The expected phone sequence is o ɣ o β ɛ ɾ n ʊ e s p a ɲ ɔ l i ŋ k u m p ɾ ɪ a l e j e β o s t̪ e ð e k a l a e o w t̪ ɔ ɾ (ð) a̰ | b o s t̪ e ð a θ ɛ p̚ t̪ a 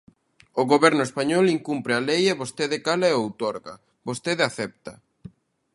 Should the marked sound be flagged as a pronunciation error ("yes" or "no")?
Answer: yes